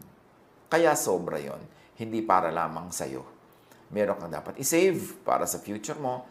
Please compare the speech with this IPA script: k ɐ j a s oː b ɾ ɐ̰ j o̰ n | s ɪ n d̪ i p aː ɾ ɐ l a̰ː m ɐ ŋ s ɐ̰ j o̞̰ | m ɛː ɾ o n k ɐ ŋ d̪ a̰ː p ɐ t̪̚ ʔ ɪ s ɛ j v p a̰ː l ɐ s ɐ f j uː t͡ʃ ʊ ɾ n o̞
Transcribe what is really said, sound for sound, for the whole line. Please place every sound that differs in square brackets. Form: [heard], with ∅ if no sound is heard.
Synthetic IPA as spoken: k ɐ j a s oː b ɾ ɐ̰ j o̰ n | [h] ɪ n d̪ i p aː ɾ ɐ l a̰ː m ɐ ŋ s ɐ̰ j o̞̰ | m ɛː ɾ o [ŋ] k ɐ ŋ d̪ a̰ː p ɐ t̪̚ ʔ ɪ s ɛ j v p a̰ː [ɾ] ɐ s ɐ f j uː t͡ʃ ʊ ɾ [m] o̞